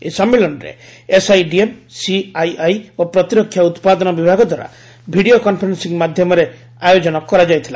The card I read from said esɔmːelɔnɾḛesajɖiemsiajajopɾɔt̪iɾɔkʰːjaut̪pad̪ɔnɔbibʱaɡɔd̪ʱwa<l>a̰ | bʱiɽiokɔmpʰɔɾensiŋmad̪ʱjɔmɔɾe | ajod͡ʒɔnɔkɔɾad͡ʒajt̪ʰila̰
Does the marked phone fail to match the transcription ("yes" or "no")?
yes